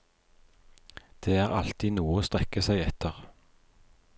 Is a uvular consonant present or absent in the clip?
present